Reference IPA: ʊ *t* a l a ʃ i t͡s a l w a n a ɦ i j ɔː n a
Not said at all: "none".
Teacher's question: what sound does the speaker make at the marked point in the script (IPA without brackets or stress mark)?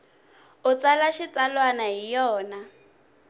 t͡s